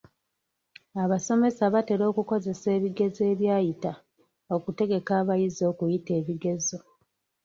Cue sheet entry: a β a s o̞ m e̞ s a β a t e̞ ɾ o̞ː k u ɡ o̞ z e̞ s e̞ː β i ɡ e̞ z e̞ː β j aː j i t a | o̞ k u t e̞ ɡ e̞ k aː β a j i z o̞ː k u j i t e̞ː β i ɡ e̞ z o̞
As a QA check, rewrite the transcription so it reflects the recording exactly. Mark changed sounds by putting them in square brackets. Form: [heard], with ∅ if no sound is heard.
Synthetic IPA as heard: a β a s o̞ m e̞ s a β a t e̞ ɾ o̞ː k u [k] o̞ z e̞ s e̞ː β i ɡ e̞ z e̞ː β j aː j i t a | o̞ k u t e̞ ɡ e̞ k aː β a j i z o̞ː k u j i t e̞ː β i ɡ e̞ z o̞